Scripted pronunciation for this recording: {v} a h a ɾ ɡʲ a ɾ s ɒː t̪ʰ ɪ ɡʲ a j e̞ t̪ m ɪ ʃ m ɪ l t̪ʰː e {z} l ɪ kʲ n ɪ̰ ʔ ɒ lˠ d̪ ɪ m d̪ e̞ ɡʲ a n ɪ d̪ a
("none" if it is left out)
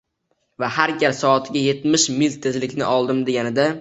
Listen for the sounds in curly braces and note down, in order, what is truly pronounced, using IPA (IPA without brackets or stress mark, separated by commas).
v, z